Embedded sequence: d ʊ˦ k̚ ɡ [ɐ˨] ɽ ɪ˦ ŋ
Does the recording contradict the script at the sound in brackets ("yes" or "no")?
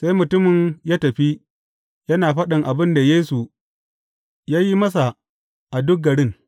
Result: no